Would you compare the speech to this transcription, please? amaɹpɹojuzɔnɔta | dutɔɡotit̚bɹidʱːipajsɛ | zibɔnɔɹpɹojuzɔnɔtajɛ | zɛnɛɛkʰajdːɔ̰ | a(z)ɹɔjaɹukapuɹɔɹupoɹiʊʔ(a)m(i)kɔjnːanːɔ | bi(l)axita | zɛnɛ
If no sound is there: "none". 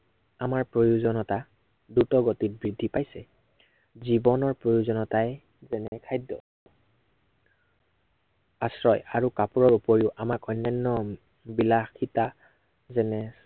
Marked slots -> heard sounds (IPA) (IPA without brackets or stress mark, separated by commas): s, a, a, l